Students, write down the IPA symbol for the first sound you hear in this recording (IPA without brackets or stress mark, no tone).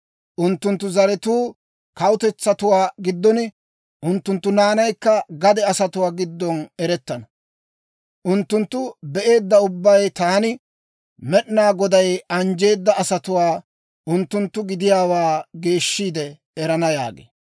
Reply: ʔ